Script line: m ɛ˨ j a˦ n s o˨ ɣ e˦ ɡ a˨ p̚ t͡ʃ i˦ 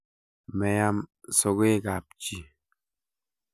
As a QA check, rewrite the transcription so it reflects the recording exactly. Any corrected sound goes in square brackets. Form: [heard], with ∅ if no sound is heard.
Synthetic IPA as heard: m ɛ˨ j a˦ [m] s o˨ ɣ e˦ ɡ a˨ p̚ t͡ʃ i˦